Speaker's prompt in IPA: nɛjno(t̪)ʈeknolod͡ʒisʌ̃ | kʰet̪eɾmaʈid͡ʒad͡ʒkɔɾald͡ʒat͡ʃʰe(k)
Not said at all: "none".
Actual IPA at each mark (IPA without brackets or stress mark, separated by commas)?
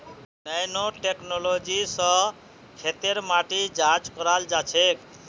none, k